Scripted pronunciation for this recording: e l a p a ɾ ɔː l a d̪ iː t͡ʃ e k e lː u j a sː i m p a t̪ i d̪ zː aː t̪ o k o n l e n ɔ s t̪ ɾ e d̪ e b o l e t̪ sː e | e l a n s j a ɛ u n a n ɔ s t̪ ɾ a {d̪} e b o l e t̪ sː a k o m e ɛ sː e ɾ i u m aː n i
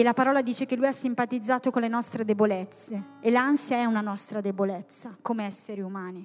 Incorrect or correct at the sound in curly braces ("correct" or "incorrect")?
correct